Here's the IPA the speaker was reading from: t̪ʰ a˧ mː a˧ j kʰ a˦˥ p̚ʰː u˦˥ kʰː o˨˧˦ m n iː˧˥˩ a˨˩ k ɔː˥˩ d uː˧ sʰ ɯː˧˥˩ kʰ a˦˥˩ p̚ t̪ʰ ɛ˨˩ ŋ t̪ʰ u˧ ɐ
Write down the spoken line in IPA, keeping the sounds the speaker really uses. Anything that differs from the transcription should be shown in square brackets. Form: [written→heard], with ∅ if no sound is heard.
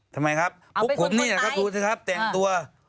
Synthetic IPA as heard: t̪ʰ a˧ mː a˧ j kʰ a˦˥ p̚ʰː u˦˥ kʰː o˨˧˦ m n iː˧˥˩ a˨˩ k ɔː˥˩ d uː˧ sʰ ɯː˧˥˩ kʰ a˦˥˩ p̚ [t̪ʰ→t̪] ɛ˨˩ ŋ [t̪ʰ→t̪] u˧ ɐ